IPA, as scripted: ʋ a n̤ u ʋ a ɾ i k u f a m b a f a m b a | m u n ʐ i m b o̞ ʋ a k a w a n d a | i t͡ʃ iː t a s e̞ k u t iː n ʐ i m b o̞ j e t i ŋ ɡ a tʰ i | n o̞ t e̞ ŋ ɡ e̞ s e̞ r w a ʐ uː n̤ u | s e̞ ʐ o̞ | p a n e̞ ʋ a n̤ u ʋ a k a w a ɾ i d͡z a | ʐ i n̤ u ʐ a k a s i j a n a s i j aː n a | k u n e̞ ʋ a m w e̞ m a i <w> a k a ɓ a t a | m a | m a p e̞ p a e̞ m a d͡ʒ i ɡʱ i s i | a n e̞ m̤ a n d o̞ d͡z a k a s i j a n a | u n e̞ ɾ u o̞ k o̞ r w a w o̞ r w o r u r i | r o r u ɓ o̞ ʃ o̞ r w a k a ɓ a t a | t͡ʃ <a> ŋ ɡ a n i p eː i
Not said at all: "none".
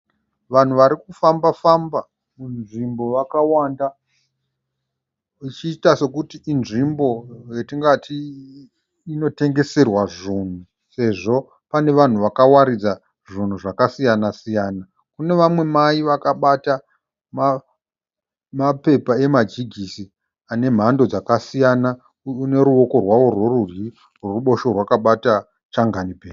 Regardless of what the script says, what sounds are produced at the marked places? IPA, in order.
ʋ, a

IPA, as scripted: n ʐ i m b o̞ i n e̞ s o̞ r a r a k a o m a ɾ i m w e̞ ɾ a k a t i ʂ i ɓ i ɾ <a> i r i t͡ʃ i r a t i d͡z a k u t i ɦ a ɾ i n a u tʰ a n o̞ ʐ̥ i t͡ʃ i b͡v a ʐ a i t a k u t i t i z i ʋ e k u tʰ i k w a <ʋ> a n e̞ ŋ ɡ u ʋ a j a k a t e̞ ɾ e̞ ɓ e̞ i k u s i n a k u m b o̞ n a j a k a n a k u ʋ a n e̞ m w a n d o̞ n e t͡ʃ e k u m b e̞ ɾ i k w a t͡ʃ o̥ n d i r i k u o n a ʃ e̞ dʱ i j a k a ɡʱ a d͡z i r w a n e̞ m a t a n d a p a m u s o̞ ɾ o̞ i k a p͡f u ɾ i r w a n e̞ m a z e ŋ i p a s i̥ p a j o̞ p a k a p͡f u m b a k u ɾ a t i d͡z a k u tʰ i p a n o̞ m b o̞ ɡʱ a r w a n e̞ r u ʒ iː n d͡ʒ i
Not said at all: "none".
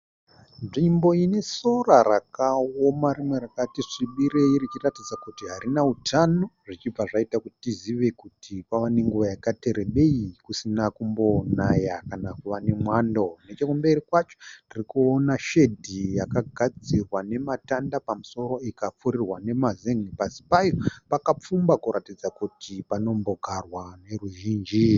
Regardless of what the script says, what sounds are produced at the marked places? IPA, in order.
e, ʋ

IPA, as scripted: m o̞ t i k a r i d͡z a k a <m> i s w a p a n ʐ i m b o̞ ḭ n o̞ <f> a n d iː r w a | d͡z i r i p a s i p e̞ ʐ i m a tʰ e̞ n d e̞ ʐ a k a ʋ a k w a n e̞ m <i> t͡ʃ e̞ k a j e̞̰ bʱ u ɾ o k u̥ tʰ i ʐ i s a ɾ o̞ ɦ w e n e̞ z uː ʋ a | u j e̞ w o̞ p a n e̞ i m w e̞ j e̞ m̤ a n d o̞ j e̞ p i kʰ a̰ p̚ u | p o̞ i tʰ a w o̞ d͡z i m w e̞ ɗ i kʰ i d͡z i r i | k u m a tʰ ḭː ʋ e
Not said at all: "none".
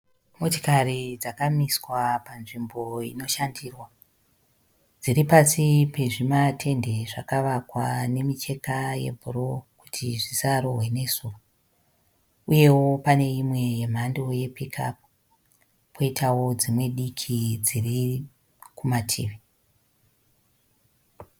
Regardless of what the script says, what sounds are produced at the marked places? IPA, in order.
m, ʃ, i

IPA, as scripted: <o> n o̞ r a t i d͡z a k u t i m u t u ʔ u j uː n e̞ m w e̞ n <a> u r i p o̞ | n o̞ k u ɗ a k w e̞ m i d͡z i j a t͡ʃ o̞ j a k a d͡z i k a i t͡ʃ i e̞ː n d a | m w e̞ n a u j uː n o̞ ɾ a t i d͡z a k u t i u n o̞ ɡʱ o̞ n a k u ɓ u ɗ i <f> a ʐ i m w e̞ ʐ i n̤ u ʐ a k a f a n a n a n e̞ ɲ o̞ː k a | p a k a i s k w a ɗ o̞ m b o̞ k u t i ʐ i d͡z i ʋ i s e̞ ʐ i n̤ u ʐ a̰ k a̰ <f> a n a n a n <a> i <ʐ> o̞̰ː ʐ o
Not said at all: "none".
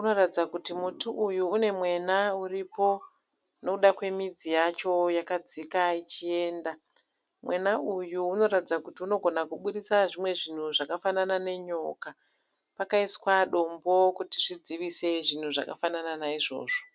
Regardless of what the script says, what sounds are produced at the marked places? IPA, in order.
u, a, s, f, a, ʐ

